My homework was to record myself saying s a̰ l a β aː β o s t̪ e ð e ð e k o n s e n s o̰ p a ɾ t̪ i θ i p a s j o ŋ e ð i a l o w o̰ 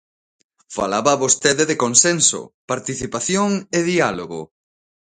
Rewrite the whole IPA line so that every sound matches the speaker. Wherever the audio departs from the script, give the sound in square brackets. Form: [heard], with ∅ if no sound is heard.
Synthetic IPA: [f] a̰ l a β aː β o s t̪ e ð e ð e k o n s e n s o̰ p a ɾ t̪ i θ i p a [θ] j o ŋ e ð i a l o [ɣ] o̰